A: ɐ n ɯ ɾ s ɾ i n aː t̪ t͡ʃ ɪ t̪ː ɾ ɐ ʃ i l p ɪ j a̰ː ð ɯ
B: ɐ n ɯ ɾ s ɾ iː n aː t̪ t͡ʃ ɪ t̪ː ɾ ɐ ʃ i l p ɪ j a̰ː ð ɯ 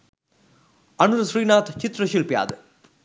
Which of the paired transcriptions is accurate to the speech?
B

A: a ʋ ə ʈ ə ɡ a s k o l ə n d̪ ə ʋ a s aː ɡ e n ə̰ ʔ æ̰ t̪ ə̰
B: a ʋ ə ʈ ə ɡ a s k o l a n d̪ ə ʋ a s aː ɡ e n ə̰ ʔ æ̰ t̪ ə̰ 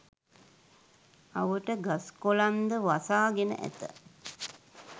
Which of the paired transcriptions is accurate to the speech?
B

